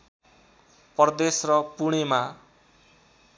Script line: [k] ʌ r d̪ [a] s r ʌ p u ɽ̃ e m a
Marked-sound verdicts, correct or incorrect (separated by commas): incorrect, incorrect